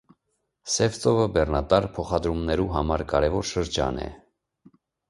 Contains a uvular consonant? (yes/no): yes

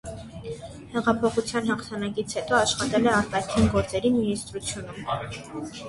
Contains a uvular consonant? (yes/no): yes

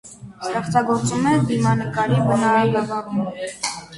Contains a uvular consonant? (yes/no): yes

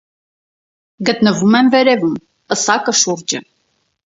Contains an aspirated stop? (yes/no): no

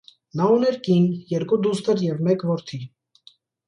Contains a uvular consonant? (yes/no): no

